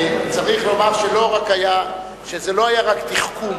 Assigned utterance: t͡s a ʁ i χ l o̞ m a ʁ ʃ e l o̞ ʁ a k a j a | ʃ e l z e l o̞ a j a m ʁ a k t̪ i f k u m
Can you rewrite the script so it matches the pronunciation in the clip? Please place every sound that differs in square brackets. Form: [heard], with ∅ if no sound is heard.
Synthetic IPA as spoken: t͡s a ʁ i χ l o̞ m a ʁ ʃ e l o̞ ʁ a k a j a | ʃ e [∅] z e l o̞ a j a [∅] ʁ a k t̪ i [χ] k u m